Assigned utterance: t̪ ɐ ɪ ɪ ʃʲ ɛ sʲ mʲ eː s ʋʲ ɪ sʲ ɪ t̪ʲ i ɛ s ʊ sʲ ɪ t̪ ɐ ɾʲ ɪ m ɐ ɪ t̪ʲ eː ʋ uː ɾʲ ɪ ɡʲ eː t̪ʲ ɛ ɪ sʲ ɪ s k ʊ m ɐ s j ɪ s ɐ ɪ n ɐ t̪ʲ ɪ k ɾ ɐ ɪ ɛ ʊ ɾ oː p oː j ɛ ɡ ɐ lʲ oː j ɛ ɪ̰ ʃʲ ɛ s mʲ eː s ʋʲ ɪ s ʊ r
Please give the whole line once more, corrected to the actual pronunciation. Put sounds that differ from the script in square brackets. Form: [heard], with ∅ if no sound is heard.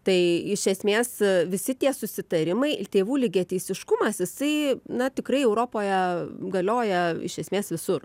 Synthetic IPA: t̪ ɐ ɪ ɪ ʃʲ ɛ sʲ mʲ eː s ʋʲ ɪ sʲ ɪ t̪ʲ i ɛ s ʊ sʲ ɪ t̪ ɐ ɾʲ ɪ m ɐ ɪ t̪ʲ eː ʋ uː [lʲ] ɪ ɡʲ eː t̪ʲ ɛ ɪ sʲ ɪ [ʃ] k ʊ m ɐ s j ɪ s ɐ ɪ n ɐ t̪ʲ ɪ k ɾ ɐ ɪ ɛ ʊ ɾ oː p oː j ɛ ɡ ɐ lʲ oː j ɛ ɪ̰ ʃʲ ɛ s mʲ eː s ʋʲ ɪ s ʊ r